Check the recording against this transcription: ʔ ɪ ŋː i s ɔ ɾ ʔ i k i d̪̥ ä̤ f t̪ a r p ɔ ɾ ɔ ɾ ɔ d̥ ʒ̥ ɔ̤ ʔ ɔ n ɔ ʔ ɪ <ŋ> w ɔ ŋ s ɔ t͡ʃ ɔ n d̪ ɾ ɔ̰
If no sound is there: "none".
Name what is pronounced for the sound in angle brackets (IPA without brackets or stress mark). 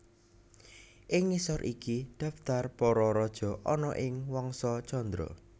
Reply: ŋ